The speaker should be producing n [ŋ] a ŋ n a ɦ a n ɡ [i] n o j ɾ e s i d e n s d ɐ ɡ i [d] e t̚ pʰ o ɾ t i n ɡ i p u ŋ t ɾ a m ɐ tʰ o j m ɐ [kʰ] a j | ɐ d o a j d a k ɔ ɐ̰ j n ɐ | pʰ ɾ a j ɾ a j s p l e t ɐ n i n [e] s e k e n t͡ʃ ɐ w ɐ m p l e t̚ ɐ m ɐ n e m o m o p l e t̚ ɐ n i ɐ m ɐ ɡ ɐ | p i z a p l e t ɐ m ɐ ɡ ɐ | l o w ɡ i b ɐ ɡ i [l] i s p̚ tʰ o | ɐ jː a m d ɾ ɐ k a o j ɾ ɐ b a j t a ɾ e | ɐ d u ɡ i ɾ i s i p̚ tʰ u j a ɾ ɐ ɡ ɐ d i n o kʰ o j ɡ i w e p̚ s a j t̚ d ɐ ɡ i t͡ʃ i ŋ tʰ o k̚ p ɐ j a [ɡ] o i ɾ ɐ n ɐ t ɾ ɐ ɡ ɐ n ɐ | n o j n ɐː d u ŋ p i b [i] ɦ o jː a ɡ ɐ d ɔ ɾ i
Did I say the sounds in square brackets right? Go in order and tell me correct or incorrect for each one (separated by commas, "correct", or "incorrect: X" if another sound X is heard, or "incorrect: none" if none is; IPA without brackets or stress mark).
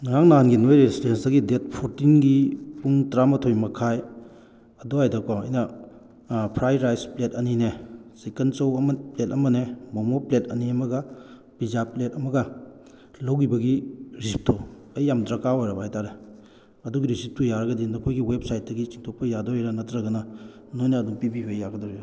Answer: correct, correct, correct, correct, correct, incorrect: ɾ, incorrect: d, correct